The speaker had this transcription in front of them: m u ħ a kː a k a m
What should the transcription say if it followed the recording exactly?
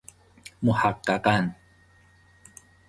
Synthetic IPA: m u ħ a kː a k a n